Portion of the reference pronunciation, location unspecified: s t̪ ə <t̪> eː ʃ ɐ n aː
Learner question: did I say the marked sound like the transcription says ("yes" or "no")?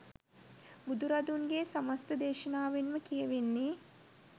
no